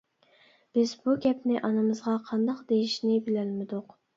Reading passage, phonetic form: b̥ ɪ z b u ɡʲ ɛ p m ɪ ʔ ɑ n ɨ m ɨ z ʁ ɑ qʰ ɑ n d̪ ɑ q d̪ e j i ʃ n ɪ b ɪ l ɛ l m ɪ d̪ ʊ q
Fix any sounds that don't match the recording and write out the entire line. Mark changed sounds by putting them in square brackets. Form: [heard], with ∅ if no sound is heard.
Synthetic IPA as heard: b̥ ɪ z b u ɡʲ ɛ p [n] ɪ ʔ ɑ n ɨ m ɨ z ʁ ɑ qʰ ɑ n d̪ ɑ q d̪ e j i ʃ n ɪ b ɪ l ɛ l m ɪ d̪ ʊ q